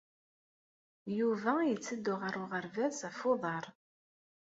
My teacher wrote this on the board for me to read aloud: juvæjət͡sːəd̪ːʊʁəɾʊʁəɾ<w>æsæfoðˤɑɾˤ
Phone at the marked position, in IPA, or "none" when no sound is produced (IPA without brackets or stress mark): v